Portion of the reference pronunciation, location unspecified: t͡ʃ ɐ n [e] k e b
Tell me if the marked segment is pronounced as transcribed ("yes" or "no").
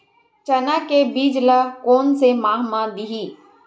no